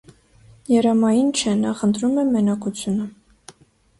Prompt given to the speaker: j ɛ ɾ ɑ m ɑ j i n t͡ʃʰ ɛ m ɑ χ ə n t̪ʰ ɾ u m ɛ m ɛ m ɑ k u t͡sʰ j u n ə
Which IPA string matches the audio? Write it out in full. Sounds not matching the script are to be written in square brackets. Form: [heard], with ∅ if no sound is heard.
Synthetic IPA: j ɛ ɾ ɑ m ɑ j i n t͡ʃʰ ɛ [n] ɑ χ ə n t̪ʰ ɾ u m ɛ m ɛ [n] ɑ k u t͡sʰ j u n ə